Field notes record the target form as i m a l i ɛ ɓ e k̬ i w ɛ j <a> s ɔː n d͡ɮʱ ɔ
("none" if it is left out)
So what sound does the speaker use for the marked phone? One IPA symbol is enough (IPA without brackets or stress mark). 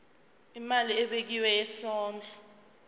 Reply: ɛ